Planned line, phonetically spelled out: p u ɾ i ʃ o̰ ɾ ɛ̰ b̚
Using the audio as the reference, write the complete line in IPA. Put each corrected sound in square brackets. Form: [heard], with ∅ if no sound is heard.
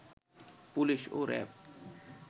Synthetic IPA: p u [l] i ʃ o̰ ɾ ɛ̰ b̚